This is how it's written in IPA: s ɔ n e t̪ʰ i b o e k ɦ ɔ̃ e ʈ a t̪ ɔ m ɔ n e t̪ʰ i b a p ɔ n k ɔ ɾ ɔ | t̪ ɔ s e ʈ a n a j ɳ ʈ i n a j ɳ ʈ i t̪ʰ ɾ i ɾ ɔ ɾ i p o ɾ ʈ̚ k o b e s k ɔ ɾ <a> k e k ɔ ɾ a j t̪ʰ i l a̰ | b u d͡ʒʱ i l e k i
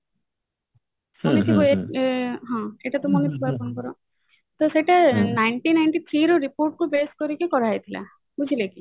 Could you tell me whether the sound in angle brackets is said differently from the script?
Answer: yes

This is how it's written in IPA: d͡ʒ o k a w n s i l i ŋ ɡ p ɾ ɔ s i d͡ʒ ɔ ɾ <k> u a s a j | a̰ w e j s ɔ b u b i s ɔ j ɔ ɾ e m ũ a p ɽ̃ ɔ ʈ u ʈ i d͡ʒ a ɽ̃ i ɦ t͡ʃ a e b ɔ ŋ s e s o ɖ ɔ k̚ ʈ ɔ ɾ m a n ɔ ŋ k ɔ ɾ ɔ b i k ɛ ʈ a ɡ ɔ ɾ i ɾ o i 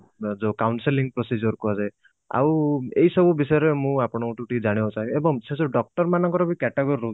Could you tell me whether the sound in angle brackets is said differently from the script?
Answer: no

